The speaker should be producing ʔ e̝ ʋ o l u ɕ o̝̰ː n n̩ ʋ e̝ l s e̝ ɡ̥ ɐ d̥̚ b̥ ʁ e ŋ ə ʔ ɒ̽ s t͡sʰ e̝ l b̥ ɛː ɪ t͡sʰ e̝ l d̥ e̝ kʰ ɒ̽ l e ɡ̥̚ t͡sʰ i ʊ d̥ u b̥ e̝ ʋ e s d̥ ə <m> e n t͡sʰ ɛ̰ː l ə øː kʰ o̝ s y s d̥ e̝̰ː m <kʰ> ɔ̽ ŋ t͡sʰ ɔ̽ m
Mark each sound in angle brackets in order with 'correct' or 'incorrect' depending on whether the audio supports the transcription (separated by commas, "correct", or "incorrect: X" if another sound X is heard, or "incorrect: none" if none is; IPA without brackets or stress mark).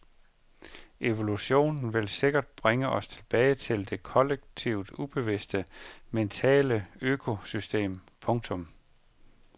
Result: correct, incorrect: pʰ